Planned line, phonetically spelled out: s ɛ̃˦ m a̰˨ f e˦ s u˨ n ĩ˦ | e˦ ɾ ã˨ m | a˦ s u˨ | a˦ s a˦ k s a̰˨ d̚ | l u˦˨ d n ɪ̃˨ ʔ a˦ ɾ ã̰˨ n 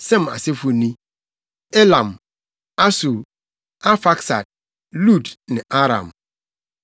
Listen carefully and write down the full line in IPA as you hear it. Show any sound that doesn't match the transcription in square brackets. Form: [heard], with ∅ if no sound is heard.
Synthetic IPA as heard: s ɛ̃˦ m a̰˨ [s] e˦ [f] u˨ n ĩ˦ | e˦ [l] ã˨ m | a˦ s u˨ | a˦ [f] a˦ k s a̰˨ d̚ | l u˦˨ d n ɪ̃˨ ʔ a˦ ɾ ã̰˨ [m]